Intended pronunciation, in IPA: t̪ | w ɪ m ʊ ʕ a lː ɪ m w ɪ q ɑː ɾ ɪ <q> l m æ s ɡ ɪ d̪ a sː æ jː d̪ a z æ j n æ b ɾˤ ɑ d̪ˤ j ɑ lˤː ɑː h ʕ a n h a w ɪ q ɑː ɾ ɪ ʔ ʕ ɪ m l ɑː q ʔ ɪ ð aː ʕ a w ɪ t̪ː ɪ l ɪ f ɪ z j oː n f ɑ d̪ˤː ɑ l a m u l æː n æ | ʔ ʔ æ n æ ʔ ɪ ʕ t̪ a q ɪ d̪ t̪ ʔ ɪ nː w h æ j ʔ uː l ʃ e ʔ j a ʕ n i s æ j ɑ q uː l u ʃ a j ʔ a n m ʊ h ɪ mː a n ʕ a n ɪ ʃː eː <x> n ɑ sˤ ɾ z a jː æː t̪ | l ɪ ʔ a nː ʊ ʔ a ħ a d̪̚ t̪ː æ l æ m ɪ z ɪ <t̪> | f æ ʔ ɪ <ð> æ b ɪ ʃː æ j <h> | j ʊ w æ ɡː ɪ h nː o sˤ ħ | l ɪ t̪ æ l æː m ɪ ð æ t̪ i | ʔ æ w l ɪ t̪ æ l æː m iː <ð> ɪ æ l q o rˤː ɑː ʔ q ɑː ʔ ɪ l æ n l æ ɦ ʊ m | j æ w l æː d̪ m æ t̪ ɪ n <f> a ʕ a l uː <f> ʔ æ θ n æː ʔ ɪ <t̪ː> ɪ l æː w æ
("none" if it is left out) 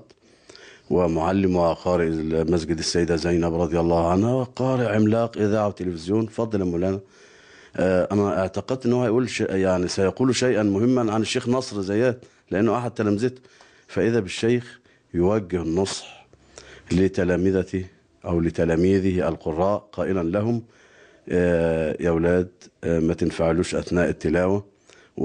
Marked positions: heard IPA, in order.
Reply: ʔ, x, t̪, ð, x, ð, f, ʃ, t̪ː

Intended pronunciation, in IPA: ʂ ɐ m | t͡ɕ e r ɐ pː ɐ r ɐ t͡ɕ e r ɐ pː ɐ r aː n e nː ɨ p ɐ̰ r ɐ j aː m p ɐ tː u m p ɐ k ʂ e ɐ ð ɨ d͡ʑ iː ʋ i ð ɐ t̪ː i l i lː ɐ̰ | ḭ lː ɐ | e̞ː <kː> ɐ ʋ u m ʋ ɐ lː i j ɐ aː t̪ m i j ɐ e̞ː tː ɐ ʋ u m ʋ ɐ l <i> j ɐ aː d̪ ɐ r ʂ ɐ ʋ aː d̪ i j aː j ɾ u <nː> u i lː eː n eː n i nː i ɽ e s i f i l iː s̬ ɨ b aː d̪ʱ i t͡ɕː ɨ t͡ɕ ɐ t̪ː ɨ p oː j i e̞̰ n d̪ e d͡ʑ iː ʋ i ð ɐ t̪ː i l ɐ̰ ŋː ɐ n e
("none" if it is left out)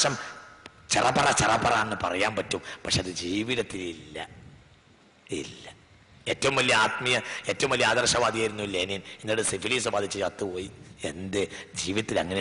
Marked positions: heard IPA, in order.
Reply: tː, i, nː

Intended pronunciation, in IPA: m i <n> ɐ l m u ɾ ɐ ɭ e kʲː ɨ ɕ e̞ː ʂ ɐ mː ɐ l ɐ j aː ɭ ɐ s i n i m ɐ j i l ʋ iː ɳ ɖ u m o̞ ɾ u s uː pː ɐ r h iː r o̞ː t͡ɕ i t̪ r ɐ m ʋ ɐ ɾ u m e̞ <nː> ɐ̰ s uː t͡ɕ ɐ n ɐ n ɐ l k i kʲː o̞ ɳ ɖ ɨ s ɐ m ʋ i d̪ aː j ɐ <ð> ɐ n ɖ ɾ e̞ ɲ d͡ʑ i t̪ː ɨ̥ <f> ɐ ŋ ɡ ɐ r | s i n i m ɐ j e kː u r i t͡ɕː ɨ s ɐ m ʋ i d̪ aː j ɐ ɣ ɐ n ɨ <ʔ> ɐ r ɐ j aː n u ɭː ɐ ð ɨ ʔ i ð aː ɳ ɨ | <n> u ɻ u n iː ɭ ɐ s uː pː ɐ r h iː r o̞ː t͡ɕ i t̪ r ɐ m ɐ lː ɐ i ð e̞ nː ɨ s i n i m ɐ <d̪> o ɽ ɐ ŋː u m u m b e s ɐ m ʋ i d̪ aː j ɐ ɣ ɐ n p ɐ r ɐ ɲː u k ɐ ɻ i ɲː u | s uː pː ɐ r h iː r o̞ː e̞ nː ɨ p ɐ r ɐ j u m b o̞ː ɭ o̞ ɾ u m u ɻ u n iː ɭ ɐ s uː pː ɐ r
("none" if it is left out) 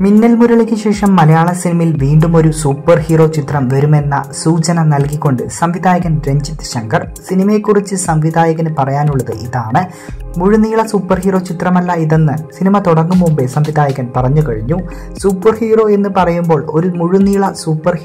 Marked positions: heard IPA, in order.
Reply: nː, nː, ɣ, ɕ, p, m, t̪

